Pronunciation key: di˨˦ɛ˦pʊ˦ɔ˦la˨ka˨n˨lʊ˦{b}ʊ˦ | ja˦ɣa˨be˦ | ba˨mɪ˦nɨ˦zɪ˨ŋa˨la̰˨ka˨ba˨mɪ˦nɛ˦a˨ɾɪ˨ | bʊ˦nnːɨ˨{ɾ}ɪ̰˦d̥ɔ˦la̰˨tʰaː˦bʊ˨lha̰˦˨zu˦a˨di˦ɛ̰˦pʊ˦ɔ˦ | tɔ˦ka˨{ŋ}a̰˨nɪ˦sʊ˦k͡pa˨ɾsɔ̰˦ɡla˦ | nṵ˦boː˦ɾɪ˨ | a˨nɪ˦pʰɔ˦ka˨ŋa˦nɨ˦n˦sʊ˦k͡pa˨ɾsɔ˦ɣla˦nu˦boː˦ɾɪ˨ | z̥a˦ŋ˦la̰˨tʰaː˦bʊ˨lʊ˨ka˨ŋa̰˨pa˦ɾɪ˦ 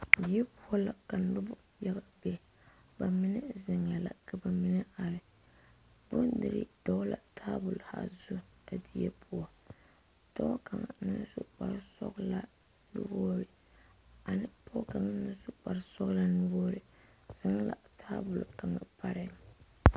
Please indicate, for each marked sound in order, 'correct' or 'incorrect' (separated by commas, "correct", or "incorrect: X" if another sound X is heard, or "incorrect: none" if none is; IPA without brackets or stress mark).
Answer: correct, correct, correct